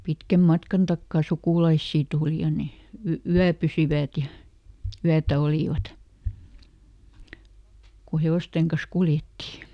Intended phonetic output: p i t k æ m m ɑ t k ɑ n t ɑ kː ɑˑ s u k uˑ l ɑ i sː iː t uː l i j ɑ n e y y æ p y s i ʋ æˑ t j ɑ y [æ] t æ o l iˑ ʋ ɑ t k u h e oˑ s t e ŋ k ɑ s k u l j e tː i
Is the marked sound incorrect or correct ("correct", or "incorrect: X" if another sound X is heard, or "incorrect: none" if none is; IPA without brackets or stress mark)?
correct